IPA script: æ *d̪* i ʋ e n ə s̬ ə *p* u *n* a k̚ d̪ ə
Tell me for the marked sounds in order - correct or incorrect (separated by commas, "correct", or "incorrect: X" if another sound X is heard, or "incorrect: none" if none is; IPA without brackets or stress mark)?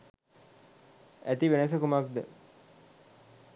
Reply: incorrect: t̪, incorrect: k, incorrect: m